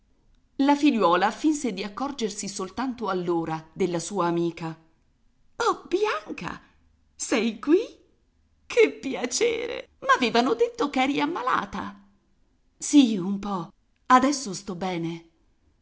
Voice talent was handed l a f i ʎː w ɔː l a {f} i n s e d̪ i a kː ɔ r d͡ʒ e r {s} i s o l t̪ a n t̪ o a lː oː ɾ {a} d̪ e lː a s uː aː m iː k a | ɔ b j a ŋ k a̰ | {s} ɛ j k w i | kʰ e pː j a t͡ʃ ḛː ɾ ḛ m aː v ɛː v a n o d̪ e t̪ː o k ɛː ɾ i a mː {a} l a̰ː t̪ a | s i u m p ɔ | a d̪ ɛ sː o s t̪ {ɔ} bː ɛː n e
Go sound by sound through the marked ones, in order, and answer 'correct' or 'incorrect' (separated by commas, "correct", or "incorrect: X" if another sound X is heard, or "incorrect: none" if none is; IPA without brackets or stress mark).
correct, correct, correct, correct, correct, correct